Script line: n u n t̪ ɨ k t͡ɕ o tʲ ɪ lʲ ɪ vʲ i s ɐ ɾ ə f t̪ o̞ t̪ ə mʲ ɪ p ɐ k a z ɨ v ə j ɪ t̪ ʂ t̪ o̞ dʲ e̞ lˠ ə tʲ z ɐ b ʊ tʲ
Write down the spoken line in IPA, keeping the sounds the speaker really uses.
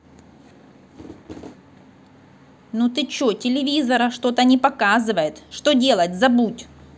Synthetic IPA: n u t̪ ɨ t͡ɕ o tʲ ɪ lʲ ɪ vʲ i z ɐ ɾ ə ʂ t̪ o̞ t̪ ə nʲ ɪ p ɐ k a z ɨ v ə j ɪ t̪ ʂ t̪ o̞ dʲ e̞ lˠ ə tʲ z ɐ b u tʲ